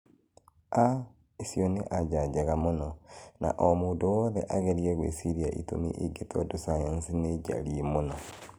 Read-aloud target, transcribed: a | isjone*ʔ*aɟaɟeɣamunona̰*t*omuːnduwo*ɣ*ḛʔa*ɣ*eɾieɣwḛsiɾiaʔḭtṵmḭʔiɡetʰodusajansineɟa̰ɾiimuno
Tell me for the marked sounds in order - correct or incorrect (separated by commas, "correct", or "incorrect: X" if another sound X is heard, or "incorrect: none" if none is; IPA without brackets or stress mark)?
correct, incorrect: ʔ, incorrect: ð, correct